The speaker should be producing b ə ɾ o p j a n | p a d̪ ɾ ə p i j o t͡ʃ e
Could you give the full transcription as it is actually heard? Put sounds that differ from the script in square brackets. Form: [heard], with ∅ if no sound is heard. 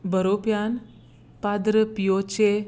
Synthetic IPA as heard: b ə ɾ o p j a n | p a d̪ ɾ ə p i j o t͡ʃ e